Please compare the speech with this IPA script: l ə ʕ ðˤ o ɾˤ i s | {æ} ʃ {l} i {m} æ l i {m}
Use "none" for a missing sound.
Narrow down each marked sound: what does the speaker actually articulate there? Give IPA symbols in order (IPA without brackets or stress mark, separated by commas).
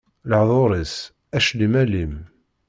æ, l, m, m